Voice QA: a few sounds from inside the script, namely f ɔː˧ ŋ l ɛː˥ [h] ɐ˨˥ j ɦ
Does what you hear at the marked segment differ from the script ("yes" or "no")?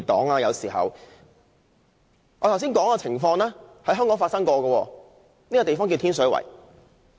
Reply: no